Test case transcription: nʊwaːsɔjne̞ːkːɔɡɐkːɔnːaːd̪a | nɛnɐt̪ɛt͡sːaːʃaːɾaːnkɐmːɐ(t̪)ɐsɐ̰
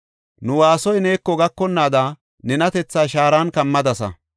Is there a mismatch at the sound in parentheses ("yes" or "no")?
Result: yes